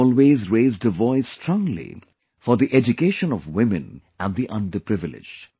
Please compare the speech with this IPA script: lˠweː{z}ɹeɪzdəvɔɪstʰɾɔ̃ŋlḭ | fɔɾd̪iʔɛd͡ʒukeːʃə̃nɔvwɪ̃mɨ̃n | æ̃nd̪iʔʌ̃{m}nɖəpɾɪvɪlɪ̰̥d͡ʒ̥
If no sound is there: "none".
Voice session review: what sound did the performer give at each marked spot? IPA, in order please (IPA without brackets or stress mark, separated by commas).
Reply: z, none